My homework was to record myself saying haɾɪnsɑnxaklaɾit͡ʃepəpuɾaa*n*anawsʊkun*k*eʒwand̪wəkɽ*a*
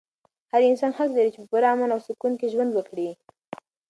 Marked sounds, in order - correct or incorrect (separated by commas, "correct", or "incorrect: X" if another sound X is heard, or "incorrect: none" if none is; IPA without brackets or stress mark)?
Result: incorrect: m, correct, incorrect: i